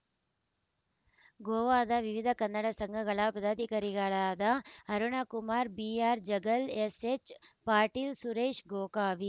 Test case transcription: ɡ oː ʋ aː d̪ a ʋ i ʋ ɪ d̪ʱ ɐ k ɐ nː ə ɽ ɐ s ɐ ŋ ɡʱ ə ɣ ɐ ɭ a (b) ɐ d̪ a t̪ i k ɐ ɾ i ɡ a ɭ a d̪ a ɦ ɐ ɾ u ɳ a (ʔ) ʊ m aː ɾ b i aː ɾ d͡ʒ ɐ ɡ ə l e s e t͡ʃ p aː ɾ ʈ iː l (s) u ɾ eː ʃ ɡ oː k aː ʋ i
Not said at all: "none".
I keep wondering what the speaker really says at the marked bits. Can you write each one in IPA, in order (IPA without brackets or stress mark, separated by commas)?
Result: p, k, s